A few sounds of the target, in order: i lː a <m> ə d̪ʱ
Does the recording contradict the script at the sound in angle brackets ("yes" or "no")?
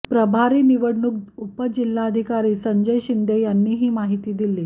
yes